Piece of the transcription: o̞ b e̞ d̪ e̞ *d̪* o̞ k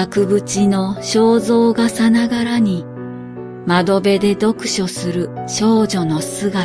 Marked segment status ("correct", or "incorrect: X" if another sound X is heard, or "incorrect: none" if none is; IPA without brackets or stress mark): correct